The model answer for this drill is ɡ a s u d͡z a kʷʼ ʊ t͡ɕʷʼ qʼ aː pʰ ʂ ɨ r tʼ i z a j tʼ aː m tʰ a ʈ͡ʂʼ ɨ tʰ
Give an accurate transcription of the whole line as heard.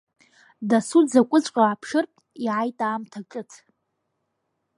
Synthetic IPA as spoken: d a s u d͡z a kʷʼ ʊ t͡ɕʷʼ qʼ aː pʰ ʂ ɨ r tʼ i ʕ a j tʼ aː m tʰ a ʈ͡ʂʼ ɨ tʰ